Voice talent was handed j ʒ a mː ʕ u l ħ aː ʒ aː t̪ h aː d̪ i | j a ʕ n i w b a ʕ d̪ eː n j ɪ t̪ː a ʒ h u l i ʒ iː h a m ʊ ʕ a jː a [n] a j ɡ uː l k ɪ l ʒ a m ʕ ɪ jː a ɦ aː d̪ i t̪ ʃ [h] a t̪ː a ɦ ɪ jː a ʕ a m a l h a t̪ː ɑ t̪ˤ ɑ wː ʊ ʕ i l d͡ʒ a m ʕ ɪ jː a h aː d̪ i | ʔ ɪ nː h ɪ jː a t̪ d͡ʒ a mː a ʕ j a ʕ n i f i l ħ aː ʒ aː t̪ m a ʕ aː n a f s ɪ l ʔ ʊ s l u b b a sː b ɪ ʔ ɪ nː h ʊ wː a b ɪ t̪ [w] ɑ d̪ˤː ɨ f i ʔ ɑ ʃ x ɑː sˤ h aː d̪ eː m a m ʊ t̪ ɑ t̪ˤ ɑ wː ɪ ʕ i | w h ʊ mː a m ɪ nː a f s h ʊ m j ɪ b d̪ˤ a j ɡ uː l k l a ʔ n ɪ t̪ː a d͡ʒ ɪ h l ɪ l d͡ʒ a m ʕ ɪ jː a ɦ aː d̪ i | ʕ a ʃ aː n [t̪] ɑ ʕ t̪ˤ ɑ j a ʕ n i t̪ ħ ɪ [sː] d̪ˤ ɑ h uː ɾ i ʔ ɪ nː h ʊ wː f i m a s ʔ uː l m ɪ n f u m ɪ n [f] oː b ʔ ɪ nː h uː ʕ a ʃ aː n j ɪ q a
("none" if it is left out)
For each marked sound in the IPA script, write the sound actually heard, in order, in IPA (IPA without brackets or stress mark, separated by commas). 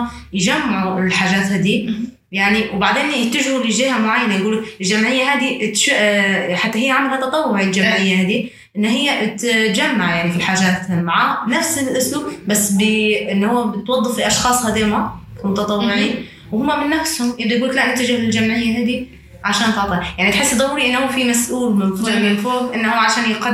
n, ħ, w, t̪, sː, f